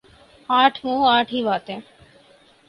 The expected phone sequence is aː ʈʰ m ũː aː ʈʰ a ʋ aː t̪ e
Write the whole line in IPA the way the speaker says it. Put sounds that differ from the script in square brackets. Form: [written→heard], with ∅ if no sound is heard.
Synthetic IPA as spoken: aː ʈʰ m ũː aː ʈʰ [a→i] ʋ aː t̪ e